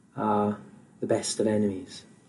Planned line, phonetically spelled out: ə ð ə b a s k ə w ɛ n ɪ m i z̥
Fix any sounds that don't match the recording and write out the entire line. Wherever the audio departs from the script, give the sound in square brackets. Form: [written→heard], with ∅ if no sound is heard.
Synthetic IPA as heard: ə ð ə b [a→ɛ] s [k→t] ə [w→v] ɛ n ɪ m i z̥